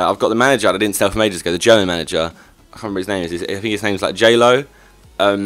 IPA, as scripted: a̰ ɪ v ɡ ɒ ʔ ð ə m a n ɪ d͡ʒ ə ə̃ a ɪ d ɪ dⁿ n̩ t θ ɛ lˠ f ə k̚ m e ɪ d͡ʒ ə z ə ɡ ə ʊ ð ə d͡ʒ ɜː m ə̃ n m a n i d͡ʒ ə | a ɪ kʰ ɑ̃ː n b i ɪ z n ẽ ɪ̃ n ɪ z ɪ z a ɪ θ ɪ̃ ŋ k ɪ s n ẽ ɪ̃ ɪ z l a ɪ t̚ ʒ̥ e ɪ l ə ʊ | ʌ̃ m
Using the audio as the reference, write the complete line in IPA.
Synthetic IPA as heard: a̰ ɪ v ɡ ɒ ʔ ð ə m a n ɪ d͡ʒ ə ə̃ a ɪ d ɪ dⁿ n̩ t s ɛ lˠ f ə m e ɪ d͡ʒ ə z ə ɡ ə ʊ ð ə d͡ʒ ɜː m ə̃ n m a n ɪ d͡ʒ ə | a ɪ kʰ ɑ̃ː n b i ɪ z n ẽ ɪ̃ m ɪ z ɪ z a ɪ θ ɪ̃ ŋ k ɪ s n ẽ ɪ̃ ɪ z l a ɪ k̚ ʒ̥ e ɪ l ə ʊ | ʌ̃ m